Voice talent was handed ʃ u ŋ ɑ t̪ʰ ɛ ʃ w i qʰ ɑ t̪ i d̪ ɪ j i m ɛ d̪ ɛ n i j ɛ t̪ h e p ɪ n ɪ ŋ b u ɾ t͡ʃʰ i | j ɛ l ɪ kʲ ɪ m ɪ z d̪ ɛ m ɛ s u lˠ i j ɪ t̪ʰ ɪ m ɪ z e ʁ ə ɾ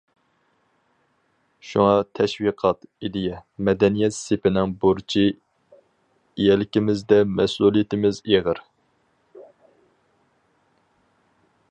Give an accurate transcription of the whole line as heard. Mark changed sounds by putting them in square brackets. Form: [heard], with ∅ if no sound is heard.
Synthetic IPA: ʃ u ŋ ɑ t̪ʰ ɛ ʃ w i qʰ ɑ t̪ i d̪ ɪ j [ɛ] m ɛ d̪ ɛ n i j ɛ t̪ [s] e p ɪ n ɪ ŋ b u ɾ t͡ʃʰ i | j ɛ l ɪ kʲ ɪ m ɪ z d̪ ɛ m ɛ s u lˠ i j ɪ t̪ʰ ɪ m ɪ z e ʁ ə ɾ